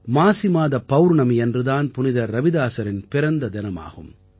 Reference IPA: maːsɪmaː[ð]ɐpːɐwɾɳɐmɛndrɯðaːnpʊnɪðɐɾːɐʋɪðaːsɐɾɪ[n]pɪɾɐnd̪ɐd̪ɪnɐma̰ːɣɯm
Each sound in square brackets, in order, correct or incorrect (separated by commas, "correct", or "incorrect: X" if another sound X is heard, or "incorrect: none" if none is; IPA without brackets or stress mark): correct, correct